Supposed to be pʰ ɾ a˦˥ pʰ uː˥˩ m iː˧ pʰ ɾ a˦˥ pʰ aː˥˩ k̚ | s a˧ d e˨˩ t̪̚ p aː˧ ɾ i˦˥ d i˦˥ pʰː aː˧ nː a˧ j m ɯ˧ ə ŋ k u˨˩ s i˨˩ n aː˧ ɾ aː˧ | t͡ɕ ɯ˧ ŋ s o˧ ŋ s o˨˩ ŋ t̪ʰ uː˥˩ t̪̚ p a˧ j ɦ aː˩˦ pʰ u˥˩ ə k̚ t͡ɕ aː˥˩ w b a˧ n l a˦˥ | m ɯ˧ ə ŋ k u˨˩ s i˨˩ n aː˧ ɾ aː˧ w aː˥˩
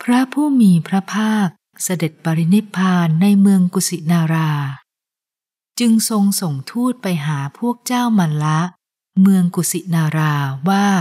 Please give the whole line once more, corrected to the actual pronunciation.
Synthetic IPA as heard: pʰ ɾ a˦˥ pʰ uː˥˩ m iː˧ pʰ ɾ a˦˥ pʰ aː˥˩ k̚ | s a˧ d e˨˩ t̪̚ p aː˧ ɾ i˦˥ n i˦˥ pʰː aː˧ nː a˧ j m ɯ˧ ə ŋ k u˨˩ s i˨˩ n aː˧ ɾ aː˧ | t͡ɕ ɯ˧ ŋ s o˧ ŋ s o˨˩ ŋ t̪ʰ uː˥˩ t̪̚ p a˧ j ɦ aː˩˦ pʰ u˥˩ ə k̚ t͡ɕ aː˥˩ w m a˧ n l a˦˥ | m ɯ˧ ə ŋ k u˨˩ s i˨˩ n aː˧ ɾ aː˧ w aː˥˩